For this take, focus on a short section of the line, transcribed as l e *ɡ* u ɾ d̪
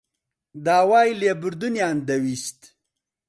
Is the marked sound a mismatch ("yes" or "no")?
yes